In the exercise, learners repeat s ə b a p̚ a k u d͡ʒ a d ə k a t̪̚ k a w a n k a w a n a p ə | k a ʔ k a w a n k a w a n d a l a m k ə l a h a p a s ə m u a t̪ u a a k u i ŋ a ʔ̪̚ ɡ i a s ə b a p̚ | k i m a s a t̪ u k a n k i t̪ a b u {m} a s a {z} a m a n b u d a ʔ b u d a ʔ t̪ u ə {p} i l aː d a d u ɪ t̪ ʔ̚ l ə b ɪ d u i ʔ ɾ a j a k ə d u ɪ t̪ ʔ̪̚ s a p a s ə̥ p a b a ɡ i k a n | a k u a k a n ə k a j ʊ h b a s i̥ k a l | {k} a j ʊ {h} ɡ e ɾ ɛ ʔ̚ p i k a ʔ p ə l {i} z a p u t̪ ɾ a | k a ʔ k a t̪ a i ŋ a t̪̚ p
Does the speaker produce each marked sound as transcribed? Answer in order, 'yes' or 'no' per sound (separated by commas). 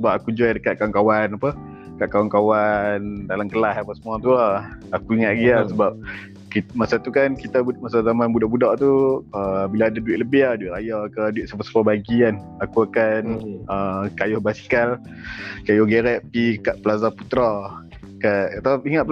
yes, yes, no, yes, yes, no